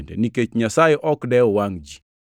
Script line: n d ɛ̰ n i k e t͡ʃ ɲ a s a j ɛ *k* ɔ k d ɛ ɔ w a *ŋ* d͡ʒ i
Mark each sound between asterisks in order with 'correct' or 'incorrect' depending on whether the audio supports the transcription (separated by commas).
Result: incorrect, correct